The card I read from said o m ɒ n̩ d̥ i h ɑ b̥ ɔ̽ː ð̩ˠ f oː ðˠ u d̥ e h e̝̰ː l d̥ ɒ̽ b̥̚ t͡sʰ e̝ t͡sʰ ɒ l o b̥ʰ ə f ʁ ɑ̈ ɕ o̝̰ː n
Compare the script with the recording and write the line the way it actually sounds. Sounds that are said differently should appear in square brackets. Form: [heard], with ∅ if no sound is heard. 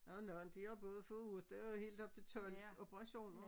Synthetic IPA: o [n] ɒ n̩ d̥ i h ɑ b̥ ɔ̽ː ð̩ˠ f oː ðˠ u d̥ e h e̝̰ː l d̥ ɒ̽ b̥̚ t͡sʰ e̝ t͡sʰ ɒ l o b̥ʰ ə [∅] ʁ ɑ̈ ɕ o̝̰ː n